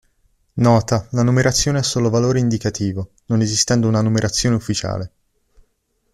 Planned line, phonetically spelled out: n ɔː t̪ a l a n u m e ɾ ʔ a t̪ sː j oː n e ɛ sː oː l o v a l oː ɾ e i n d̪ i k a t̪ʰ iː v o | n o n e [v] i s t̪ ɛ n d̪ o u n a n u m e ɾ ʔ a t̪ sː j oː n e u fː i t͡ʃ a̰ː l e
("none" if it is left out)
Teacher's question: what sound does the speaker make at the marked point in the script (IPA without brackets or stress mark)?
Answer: z